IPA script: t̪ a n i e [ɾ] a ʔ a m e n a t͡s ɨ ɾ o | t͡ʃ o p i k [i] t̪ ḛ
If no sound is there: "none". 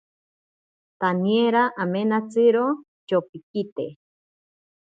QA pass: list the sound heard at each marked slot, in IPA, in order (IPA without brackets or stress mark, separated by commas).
ɾ, i